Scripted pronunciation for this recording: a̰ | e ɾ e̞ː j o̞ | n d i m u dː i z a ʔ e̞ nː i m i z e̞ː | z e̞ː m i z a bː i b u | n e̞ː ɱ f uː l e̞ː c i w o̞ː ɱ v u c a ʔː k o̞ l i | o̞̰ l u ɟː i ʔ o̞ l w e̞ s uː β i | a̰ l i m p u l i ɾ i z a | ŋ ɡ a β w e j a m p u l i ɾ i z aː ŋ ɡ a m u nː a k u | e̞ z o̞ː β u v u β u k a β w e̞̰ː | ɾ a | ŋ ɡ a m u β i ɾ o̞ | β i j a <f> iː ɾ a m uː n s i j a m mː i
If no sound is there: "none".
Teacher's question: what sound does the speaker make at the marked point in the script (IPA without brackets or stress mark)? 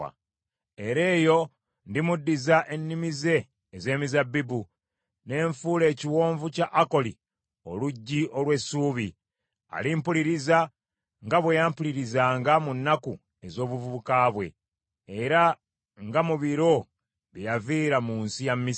v